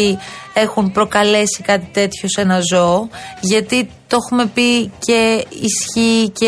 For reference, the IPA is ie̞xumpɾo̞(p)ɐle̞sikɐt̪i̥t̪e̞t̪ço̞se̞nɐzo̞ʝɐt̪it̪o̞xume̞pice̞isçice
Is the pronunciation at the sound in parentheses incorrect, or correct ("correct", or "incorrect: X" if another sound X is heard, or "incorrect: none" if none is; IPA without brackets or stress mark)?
incorrect: k